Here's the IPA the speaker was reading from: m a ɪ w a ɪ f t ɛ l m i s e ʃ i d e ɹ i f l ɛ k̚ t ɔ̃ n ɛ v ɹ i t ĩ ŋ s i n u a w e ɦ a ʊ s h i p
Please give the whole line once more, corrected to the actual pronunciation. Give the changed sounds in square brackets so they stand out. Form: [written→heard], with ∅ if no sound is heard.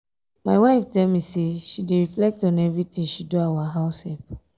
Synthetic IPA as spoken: m a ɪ w a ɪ f t ɛ l m i s e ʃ i d e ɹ i f l ɛ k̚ t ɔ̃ n ɛ v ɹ i t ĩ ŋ [s→ʃ] i [n→d] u a w [e→a] ɦ a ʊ s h [i→ɛ] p